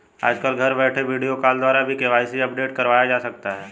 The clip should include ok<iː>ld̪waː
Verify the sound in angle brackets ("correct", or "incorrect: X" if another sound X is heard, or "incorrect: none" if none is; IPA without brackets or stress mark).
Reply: incorrect: aː